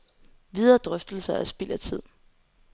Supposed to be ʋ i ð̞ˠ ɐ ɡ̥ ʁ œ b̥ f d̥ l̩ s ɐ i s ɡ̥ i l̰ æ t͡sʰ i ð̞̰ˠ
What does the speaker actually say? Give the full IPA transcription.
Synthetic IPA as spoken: ʋ i ð̞ˠ ɐ d̥ ʁ œ f d̥ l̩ s ɐ æ s b̥ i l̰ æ t͡sʰ i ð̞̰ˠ